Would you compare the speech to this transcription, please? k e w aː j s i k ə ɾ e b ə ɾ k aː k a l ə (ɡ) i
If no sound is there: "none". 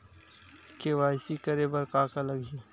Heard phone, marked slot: ɡ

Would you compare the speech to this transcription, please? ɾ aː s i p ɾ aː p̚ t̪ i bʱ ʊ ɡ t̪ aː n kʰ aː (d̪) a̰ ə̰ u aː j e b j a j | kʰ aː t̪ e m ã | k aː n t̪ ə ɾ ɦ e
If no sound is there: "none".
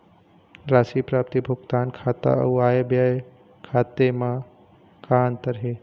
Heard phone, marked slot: t̪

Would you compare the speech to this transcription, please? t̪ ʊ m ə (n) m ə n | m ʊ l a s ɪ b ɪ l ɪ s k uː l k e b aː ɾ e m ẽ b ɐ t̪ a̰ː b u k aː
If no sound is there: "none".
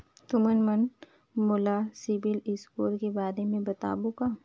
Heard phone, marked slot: n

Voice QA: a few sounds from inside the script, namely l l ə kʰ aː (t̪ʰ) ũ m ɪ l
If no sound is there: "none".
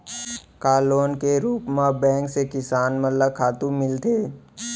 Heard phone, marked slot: t̪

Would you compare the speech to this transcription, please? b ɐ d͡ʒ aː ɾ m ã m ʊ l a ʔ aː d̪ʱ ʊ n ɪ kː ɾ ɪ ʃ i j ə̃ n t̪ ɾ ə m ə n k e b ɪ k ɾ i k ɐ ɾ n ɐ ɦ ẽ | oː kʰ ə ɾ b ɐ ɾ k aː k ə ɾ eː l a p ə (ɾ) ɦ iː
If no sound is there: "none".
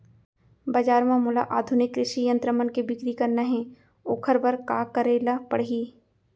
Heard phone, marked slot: ɽ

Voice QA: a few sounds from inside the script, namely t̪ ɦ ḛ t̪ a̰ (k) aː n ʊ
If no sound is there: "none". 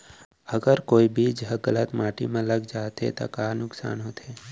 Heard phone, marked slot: k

